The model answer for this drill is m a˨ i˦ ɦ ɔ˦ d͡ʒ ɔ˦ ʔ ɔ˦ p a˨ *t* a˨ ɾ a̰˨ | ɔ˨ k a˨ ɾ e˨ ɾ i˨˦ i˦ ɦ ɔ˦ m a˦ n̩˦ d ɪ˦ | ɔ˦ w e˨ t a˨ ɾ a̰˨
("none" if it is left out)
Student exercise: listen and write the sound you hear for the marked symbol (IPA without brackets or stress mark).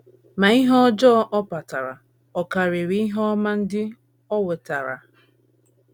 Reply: t